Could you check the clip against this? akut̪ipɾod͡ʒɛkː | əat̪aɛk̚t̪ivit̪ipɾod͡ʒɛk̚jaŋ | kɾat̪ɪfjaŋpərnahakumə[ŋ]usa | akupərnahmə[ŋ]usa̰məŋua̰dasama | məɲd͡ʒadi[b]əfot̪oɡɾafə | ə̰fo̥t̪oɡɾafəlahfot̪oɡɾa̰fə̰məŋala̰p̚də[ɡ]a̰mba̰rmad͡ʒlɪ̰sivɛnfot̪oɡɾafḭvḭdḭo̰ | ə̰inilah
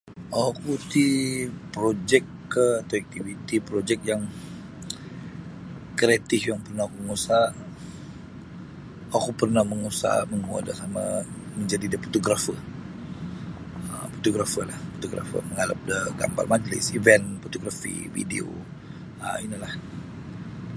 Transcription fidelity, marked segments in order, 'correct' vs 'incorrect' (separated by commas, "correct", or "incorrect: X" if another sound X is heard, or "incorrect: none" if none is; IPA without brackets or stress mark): correct, correct, incorrect: d, correct